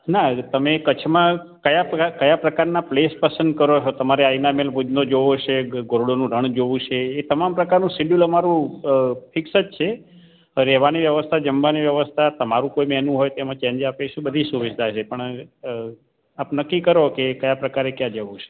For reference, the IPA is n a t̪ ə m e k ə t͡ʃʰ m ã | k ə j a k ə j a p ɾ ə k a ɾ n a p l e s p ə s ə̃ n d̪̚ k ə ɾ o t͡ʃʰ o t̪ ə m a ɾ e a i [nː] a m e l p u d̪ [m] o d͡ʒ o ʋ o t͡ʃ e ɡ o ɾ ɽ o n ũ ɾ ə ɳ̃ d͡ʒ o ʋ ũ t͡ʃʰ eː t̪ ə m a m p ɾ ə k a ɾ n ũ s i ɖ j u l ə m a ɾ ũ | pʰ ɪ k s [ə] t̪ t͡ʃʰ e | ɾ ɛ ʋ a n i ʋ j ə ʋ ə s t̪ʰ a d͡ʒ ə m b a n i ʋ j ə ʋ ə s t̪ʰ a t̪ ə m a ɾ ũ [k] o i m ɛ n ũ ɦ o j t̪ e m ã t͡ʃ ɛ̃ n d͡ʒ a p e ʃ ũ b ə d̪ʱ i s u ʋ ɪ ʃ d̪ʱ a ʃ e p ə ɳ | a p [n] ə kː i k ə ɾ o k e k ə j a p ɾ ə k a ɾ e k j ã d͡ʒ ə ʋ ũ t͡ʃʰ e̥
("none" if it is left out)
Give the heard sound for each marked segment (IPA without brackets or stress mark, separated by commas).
n, n, ə, k, n